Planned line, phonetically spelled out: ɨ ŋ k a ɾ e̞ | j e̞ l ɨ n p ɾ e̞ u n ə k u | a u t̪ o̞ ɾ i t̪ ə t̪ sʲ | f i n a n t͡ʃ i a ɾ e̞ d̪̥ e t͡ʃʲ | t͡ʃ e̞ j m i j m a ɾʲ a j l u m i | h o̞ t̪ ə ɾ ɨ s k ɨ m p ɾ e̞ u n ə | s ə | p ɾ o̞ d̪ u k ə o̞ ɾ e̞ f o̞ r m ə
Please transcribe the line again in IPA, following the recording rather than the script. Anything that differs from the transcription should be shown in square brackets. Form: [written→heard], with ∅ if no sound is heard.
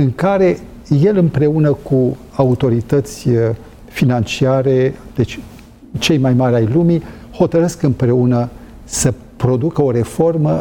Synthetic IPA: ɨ ŋ k a ɾ e̞ | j e̞ l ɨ [n→m] p ɾ e̞ u n ə k u | a u t̪ o̞ ɾ i t̪ ə t̪ sʲ | f i n a n t͡ʃ i a ɾ e̞ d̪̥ e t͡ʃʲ | t͡ʃ e̞ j m [i→a] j m a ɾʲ a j l u m i | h o̞ t̪ ə ɾ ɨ s k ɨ m p ɾ e̞ u n ə | s ə | p ɾ o̞ d̪ u k ə o̞ ɾ e̞ f o̞ r m ə